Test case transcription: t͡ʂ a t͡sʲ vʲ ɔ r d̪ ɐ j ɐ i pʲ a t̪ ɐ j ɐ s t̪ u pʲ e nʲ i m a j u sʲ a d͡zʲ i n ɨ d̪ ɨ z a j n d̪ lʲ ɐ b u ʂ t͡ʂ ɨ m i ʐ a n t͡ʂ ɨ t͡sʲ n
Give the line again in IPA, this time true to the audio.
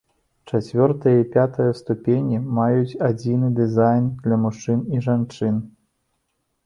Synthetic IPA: t͡ʂ a t͡sʲ vʲ ɔ r t̪ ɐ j ɐ i pʲ a t̪ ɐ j ɐ s t̪ u pʲ e nʲ i m a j u t͡sʲ a d͡zʲ i n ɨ d̪ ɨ z a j n d̪ lʲ ɐ m u ʂ t͡ʂ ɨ n i ʐ a n t͡ʂ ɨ n